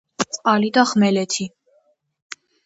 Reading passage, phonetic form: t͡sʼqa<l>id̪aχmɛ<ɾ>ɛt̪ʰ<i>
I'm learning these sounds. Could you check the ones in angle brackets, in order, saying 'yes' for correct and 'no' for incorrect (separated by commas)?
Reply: yes, no, yes